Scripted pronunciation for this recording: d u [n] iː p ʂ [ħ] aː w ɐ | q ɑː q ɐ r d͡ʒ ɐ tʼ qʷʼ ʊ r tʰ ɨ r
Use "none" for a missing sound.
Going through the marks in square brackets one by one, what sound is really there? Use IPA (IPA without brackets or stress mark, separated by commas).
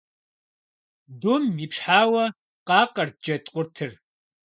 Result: m, ħ